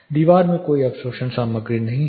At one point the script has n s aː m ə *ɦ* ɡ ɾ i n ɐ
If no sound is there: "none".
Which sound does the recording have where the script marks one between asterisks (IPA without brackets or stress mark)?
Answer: none